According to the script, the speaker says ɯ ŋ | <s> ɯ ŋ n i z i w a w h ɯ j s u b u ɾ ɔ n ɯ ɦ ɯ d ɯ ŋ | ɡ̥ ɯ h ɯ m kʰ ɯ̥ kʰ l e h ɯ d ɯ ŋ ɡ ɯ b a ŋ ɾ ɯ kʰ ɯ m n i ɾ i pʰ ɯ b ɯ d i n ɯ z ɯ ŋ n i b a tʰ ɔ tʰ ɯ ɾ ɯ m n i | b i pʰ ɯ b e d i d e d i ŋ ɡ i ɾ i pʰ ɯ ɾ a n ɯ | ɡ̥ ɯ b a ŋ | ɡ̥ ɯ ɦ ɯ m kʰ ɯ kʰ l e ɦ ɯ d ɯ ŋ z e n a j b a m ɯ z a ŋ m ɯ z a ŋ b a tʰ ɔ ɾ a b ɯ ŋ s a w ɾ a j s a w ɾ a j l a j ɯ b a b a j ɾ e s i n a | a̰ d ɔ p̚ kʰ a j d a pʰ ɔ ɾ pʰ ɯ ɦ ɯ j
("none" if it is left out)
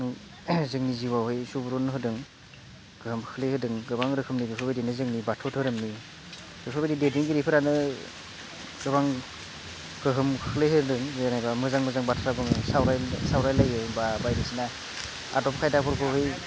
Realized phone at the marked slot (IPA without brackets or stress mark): z